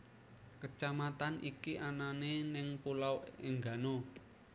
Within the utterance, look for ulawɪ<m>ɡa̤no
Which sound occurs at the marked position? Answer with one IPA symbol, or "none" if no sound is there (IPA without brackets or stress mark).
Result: ŋ